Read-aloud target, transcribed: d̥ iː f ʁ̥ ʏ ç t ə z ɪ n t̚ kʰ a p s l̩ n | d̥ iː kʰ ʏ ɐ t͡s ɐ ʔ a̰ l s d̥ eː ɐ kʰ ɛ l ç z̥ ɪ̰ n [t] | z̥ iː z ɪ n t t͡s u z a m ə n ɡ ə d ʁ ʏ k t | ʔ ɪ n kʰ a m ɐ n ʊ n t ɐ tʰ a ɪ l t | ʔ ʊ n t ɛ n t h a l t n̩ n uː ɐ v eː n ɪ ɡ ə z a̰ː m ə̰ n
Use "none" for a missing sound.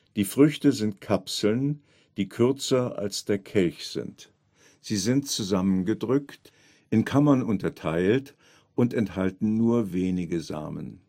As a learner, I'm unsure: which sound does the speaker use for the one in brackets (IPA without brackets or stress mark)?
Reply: t